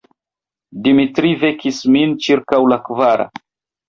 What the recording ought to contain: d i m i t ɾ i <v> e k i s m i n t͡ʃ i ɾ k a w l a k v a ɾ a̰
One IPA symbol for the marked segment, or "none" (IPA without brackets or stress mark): v